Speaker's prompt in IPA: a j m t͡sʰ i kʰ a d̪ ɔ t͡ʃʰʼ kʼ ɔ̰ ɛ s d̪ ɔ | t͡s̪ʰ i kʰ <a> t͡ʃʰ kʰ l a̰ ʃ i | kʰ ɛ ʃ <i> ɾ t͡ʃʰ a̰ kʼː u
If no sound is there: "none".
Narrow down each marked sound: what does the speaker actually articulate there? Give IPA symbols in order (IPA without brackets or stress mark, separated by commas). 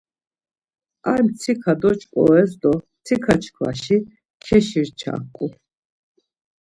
a, i